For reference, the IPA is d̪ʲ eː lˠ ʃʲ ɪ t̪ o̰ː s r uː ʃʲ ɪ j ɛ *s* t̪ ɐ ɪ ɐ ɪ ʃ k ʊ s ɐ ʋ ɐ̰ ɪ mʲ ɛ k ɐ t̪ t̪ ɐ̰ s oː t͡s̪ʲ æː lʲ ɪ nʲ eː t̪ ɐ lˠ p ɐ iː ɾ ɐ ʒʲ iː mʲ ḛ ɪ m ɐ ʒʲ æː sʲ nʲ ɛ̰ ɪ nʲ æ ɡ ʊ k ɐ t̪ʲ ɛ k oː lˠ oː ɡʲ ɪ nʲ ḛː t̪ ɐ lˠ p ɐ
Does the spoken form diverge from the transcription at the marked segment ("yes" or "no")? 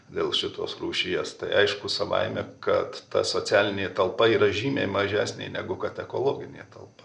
no